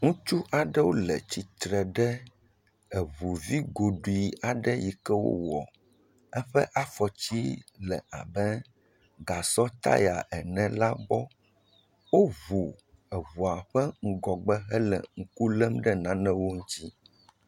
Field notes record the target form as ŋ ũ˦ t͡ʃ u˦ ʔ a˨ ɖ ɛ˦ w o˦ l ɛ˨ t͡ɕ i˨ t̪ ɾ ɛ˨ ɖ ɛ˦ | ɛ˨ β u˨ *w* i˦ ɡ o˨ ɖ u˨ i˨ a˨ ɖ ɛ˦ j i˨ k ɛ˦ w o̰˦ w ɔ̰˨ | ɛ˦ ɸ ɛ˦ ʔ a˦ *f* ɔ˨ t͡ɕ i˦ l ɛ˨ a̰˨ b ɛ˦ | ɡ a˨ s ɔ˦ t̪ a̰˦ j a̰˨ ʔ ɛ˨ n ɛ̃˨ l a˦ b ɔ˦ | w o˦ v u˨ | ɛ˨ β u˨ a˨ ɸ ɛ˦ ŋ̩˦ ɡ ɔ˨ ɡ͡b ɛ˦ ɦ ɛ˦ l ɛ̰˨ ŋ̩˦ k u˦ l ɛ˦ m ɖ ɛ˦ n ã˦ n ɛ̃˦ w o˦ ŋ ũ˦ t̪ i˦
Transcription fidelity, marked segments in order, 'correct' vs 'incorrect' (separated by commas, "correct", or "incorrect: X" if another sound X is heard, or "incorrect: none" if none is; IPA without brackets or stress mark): incorrect: v, correct